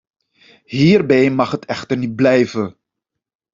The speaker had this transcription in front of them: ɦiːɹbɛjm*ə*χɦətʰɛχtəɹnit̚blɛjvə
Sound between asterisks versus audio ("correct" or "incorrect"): incorrect